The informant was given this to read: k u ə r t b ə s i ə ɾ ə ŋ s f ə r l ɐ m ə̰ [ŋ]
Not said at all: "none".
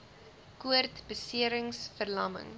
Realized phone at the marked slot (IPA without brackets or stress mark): ŋ